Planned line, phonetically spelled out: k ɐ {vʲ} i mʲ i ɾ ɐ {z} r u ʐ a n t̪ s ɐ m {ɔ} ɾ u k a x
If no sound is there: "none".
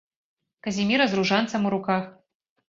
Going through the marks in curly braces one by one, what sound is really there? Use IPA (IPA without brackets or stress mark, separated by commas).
zʲ, z, u